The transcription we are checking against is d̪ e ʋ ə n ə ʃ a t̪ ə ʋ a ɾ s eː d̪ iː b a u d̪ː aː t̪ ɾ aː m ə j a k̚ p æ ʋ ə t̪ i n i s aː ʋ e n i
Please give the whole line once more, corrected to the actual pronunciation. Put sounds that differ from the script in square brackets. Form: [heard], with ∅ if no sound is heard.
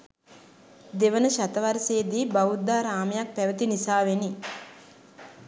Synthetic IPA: d̪ e ʋ ə n ə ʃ a t̪ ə ʋ a ɾ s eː d̪ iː b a u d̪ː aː [∅] ɾ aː m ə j a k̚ p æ ʋ ə t̪ i n i s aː ʋ e n i